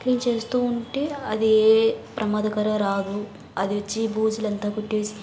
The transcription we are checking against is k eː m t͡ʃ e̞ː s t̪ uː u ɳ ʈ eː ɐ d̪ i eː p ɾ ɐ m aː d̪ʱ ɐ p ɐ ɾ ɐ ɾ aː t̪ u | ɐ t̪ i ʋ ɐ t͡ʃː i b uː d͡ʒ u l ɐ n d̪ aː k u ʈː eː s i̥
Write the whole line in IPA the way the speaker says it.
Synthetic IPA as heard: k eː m t͡ʃ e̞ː s t̪ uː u ɳ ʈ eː ɐ d̪ i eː p ɾ ɐ m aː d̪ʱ ɐ k ɐ ɾ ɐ ɾ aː d̪ u | ɐ d̪ i ʋ ɐ t͡ʃː i b uː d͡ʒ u l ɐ n t̪ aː k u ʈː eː s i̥